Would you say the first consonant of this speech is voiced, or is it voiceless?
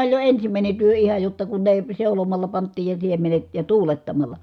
voiced